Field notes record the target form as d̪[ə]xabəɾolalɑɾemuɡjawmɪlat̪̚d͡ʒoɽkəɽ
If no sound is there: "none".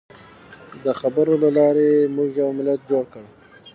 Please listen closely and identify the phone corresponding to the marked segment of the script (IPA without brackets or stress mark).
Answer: ə